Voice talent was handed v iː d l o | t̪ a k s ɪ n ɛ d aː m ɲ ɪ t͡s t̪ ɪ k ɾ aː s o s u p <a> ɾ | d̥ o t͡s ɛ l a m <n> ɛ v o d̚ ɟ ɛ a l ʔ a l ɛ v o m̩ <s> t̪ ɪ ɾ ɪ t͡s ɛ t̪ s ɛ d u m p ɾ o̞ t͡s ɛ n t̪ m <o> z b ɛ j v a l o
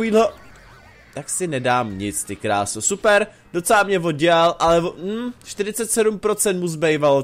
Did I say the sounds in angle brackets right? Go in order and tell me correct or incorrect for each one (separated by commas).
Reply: incorrect, incorrect, incorrect, incorrect